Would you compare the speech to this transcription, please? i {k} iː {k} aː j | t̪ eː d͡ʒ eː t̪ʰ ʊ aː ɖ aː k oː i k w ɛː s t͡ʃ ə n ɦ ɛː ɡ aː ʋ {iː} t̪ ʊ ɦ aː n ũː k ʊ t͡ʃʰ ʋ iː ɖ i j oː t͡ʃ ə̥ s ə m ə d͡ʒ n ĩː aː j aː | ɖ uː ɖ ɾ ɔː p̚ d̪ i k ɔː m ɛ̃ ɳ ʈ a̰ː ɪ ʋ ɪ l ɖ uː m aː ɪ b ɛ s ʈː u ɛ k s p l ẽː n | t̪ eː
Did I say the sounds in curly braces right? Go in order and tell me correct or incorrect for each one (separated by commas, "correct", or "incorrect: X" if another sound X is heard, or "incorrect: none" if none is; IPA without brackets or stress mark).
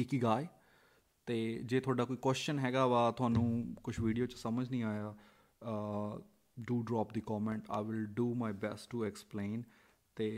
correct, incorrect: ɡ, incorrect: aː